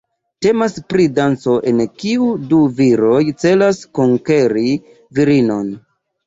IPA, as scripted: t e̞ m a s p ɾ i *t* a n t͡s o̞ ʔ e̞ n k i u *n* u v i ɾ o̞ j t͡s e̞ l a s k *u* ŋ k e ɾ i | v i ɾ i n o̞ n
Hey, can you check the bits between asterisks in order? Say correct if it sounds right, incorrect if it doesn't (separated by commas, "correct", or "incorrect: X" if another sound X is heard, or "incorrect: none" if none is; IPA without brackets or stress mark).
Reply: incorrect: d, incorrect: d, incorrect: o